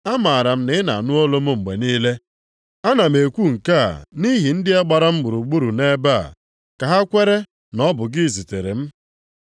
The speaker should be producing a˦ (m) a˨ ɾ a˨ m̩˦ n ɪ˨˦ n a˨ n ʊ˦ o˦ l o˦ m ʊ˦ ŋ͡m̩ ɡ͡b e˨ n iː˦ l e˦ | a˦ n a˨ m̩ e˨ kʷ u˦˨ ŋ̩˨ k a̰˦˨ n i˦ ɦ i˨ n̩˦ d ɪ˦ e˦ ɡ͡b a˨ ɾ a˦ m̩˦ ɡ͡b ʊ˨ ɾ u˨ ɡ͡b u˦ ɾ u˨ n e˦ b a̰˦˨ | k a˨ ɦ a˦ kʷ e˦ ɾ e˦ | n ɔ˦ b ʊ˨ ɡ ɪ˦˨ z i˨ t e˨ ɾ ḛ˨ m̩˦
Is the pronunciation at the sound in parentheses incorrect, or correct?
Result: correct